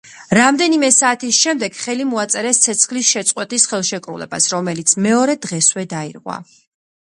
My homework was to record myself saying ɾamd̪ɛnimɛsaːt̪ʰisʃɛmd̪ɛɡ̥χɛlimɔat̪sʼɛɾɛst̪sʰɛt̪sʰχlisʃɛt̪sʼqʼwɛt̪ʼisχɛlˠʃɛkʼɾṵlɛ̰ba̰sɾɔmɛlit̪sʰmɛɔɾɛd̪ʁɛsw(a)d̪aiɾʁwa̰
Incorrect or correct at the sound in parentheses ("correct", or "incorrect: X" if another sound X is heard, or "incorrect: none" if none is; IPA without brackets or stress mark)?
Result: incorrect: ɛ